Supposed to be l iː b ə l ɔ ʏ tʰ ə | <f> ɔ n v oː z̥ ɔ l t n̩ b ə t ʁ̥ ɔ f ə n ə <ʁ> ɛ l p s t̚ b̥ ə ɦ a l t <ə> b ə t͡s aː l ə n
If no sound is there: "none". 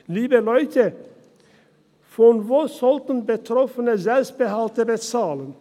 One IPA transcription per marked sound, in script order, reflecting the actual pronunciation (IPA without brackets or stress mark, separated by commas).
f, z, ə